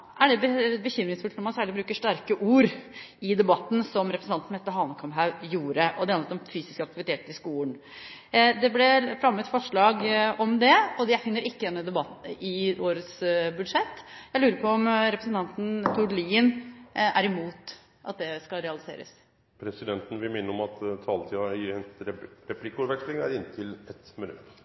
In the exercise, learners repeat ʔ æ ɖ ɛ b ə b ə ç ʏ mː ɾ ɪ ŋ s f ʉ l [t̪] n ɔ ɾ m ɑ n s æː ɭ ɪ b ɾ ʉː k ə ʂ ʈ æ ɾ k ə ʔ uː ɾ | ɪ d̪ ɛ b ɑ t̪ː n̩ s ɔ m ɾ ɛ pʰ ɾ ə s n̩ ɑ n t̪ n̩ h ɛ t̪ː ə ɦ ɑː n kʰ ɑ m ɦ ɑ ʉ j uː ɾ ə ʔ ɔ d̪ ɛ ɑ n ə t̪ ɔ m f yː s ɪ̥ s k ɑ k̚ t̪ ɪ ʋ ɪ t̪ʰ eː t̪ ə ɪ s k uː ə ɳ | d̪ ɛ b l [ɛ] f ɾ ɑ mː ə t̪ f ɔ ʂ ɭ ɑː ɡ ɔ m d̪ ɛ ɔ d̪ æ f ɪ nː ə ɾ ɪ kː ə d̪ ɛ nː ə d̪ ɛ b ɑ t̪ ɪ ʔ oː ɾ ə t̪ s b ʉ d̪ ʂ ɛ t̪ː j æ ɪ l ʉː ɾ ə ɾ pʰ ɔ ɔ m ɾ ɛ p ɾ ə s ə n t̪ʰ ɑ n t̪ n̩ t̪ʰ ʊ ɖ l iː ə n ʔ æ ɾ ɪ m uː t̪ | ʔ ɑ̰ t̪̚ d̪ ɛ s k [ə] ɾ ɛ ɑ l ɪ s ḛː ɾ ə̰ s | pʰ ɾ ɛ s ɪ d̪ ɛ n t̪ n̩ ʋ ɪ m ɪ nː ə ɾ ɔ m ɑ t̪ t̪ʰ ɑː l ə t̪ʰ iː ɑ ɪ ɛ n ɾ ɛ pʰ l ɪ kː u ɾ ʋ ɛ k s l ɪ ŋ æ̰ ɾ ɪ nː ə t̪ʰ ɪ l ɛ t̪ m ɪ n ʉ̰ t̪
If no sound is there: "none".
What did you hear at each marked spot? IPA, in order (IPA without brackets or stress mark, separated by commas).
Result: t̪, ɛ, ɑ